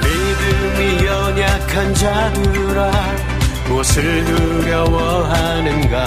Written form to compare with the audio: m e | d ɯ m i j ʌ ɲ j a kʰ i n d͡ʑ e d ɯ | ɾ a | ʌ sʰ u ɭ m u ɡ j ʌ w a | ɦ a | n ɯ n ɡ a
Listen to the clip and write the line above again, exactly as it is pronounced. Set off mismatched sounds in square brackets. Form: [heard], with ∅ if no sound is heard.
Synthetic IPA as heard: m e | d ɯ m i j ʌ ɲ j a kʰ [a] n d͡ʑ [a] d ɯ | ɾ a | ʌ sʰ [ɯ] ɭ [n] u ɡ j ʌ w [ʌ] | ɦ a | n ɯ n ɡ a